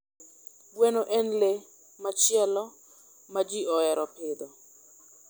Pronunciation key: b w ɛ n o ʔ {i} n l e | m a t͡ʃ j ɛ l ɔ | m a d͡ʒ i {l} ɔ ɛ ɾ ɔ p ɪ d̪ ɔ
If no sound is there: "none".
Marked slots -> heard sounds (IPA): ɛ, none

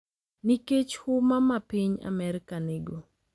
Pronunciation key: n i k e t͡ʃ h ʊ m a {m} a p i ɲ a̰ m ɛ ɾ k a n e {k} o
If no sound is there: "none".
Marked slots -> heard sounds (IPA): m, ɡ

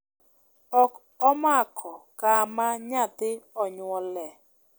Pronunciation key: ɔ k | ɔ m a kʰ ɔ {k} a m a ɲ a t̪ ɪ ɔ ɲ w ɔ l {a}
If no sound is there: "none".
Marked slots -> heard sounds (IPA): k, ɛ

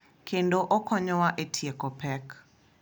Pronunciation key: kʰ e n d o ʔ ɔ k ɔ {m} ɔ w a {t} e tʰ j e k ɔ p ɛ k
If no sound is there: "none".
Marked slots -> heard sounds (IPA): ɲ, ʔ

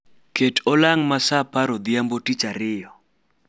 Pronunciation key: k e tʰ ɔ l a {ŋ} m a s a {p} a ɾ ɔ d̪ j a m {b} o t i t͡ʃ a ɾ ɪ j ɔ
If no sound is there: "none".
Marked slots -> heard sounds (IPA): ŋ, p, b

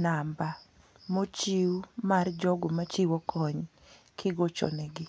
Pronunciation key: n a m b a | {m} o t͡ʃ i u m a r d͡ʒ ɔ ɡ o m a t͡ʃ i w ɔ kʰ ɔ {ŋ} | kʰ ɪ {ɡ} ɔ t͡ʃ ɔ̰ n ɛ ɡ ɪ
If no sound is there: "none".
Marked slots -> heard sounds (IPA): m, ɲ, ɡ

